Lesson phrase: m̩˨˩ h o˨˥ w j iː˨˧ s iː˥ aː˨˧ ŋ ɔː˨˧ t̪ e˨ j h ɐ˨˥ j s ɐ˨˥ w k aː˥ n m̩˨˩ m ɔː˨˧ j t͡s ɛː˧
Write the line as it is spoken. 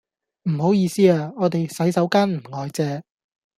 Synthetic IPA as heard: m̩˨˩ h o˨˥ w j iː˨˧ s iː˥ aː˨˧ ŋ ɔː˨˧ t̪ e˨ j s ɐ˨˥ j s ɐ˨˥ w k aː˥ n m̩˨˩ ŋ ɔː˨˧ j t͡s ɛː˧